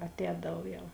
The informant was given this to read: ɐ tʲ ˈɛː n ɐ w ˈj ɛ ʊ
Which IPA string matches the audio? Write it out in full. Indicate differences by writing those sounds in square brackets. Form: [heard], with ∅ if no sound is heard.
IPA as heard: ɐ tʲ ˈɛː [d] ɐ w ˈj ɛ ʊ